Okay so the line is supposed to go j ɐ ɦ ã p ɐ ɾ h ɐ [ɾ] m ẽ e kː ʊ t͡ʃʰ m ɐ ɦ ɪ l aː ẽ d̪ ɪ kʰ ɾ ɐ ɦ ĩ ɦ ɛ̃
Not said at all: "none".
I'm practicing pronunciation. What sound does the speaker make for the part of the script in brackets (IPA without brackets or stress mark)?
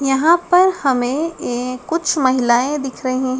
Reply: none